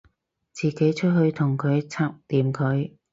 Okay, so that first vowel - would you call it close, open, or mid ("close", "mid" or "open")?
close